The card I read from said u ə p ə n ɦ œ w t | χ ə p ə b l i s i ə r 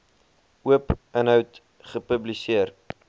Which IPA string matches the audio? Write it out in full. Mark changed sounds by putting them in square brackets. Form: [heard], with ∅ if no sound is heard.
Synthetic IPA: u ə p ə n ɦ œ w t | χ ə p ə b l i s i ə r